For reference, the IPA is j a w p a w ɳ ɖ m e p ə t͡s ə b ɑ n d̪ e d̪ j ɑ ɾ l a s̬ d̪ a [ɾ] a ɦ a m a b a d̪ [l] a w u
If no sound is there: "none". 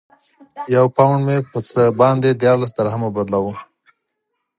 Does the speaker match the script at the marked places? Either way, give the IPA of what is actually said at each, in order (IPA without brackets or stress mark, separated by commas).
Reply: ɾ, l